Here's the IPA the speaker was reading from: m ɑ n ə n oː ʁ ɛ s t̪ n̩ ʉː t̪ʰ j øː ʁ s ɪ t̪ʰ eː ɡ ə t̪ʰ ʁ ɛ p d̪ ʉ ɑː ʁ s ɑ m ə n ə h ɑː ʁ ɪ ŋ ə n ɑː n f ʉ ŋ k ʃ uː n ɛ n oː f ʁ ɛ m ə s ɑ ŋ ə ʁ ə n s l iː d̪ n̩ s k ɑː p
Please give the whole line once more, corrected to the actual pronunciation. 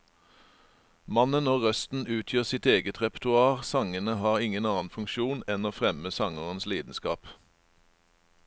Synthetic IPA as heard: m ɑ n ə n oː ʁ œ s t̪ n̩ ʉː t̪ʰ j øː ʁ s ɪ t̪ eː ɡ ə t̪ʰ ʁ ɛ p t̪ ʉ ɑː ʁ s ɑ ŋ ə n ə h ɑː ʁ ɪ ŋ ə n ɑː n f ʉ ŋ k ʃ uː n ɛ n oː f ʁ ɛ m ə s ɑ ŋ ə ʁ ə n s l iː d̪ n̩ s k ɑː p